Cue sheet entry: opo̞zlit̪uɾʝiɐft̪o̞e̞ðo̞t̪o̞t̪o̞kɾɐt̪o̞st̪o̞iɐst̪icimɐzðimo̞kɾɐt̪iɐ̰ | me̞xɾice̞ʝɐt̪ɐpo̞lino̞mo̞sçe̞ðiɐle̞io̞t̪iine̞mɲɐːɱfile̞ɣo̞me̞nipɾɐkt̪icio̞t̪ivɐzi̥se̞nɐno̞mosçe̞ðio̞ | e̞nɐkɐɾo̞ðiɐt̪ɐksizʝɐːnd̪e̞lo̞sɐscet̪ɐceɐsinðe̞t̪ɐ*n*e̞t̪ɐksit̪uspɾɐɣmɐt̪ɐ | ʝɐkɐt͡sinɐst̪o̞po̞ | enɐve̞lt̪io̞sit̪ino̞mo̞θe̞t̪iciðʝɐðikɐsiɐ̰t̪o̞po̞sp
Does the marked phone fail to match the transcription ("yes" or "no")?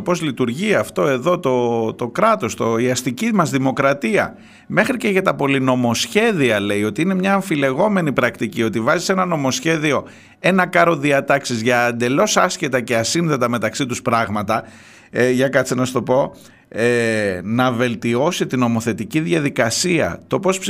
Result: yes